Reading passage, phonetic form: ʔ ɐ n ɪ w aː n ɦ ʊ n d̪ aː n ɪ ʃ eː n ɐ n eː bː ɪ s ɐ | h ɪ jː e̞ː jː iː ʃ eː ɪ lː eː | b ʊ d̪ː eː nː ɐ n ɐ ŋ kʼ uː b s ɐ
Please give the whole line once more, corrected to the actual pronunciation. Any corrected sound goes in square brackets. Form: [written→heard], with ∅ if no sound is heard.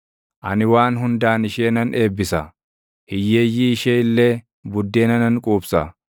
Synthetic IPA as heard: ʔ ɐ n ɪ w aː n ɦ ʊ n d̪ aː n ɪ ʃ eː n ɐ n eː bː ɪ s ɐ | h ɪ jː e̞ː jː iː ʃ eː ɪ lː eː | b ʊ d̪ː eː [nː→n] ɐ n ɐ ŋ kʼ uː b s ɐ